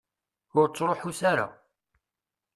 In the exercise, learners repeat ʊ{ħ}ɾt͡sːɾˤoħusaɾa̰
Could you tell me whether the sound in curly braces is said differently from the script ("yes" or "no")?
yes